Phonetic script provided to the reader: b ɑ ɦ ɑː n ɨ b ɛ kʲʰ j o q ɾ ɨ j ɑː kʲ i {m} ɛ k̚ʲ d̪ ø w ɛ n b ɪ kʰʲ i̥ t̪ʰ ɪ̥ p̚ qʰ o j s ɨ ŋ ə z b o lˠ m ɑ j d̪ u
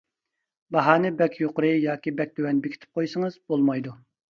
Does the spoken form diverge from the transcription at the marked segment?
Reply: yes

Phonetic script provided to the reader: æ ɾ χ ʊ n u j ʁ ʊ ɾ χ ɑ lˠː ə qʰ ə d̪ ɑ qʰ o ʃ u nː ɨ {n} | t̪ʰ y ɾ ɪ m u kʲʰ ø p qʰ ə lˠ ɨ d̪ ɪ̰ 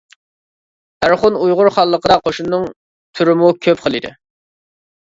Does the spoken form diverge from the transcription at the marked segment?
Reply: yes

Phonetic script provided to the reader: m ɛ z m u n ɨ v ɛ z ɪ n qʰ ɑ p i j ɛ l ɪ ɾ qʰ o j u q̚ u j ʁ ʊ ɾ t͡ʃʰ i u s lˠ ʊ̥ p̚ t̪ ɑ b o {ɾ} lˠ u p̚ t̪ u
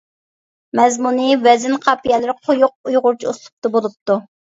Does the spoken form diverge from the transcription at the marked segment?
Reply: yes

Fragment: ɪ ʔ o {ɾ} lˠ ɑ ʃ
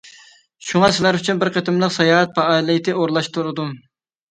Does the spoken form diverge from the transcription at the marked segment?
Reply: no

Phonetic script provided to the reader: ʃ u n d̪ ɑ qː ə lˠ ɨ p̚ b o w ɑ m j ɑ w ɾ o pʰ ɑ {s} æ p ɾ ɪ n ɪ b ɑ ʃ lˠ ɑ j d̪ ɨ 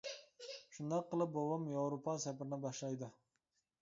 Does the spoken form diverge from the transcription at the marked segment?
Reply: no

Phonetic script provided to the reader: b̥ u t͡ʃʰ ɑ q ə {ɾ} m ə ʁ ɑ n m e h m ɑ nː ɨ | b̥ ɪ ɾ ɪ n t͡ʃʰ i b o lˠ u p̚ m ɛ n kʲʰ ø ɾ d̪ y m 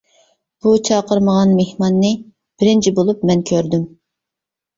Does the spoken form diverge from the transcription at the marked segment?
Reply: no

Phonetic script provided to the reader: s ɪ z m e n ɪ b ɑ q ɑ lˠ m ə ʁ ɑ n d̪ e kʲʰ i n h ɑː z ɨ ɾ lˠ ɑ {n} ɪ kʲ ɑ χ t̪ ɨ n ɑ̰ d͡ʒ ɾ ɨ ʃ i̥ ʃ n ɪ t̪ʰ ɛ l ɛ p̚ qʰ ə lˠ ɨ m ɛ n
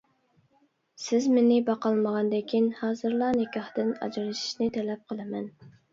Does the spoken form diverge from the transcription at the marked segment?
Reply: no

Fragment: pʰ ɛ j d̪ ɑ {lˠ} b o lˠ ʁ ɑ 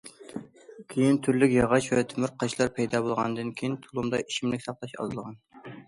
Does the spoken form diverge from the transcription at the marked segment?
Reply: yes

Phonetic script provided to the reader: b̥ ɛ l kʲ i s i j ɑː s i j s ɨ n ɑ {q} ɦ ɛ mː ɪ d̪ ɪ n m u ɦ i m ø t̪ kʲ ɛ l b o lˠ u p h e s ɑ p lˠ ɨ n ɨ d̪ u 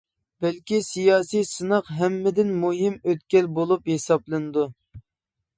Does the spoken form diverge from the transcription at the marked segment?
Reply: no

